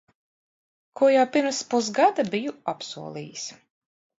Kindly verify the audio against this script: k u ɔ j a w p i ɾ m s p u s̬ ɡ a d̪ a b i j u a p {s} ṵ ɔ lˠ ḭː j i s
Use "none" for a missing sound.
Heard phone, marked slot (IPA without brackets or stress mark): s